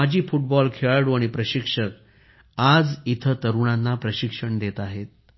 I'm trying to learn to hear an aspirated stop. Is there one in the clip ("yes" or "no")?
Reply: yes